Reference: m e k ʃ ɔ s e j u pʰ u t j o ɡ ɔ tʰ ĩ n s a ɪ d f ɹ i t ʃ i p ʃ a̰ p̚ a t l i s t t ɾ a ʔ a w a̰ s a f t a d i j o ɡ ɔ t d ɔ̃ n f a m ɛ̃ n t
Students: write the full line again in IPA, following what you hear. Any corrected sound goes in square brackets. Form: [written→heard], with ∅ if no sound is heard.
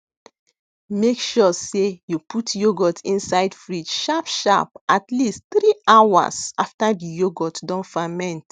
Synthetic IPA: m e k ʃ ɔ s e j u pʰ u t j o ɡ ɔ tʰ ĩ n s a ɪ d f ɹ i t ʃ [i→a] p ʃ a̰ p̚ a t l i s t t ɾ [a→i] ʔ a w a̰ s a f t a d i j o ɡ ɔ t d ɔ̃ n f a m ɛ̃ n t